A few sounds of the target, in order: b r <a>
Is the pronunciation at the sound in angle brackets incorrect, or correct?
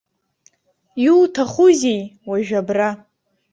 correct